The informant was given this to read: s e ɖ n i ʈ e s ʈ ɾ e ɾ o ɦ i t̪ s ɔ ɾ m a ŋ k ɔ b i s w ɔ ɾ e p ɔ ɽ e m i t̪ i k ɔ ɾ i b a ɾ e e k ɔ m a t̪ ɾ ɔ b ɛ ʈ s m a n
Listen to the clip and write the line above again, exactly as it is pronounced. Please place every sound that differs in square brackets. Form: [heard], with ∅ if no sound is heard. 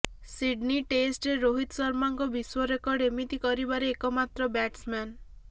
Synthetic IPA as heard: s [i] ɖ n i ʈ e s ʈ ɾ e ɾ o ɦ i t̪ s ɔ ɾ m a ŋ k ɔ b i s w ɔ ɾ e [k] ɔ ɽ e m i t̪ i k ɔ ɾ i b a ɾ e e k ɔ m a t̪ ɾ ɔ b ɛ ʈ s m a n